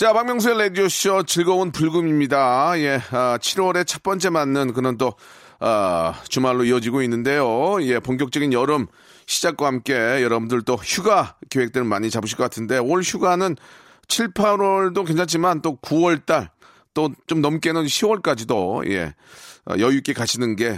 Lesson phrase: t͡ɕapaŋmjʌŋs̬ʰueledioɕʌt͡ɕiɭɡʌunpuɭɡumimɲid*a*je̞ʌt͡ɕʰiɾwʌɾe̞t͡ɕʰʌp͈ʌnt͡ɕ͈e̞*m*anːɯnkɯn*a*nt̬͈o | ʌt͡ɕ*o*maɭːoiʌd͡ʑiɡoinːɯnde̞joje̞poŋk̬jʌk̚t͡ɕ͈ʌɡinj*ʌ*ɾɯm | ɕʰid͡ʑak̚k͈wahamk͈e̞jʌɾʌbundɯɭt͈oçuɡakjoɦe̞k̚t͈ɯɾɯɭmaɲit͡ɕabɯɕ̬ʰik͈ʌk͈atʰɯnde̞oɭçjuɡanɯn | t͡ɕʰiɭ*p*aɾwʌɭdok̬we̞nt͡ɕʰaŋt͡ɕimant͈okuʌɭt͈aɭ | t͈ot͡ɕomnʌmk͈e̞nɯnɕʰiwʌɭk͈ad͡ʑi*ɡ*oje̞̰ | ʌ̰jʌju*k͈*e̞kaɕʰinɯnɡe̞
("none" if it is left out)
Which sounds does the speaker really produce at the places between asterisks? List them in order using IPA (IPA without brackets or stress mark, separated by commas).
a, m, ʌ, u, ʌ, pʰ, d, k͈